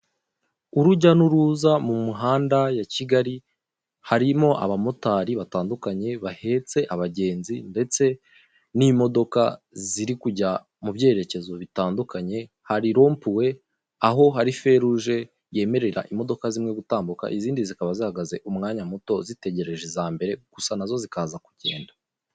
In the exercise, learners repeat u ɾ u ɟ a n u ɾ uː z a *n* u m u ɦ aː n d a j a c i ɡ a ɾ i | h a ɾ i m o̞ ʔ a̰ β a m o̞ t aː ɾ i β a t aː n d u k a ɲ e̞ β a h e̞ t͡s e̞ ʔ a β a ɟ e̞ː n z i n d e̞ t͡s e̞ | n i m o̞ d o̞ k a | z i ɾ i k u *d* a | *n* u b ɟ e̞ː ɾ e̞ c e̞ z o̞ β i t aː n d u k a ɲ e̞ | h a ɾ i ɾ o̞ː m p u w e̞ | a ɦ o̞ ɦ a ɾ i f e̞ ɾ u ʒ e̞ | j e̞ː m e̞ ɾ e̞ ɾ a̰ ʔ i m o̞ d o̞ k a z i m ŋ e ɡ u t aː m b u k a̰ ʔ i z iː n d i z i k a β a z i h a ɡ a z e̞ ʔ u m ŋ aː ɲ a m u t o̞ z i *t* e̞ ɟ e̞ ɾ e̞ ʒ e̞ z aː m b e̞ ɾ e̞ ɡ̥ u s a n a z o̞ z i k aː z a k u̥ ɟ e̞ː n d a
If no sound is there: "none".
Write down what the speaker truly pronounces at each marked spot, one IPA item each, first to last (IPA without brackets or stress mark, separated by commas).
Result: m, ɟ, m, t